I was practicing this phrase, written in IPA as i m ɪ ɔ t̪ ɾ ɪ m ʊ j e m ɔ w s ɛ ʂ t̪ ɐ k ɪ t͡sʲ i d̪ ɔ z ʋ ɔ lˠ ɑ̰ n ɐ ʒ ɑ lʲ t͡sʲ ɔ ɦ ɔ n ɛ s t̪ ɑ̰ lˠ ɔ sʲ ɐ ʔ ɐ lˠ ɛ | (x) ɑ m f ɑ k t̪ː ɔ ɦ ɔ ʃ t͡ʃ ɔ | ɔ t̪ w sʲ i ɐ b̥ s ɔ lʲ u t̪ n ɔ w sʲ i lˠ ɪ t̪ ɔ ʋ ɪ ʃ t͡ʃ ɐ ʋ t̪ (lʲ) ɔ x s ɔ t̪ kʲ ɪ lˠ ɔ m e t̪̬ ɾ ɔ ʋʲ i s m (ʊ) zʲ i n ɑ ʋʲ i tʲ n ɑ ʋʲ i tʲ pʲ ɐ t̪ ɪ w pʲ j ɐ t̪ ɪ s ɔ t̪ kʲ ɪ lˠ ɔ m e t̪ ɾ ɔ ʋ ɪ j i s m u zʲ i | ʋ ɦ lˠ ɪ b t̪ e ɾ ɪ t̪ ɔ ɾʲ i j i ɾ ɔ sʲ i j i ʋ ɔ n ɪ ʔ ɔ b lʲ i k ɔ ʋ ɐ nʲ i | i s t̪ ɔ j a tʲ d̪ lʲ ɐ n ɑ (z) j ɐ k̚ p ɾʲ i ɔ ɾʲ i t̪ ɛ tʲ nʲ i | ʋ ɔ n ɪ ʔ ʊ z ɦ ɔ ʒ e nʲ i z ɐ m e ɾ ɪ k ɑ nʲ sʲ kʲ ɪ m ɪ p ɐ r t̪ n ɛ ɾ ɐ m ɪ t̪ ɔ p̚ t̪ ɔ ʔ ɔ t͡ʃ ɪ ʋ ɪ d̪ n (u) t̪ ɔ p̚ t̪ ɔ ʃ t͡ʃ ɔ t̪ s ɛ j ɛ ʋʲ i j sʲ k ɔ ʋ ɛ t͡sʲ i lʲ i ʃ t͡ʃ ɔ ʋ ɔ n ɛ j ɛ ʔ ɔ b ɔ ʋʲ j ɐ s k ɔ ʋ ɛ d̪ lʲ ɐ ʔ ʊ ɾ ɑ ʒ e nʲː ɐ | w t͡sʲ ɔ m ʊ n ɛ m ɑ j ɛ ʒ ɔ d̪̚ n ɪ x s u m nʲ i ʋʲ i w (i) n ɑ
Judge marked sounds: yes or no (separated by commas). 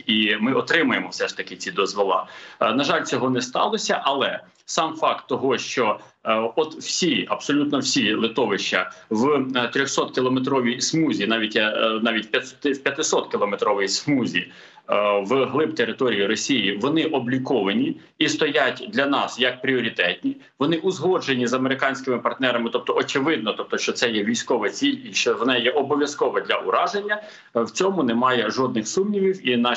no, no, no, no, no, yes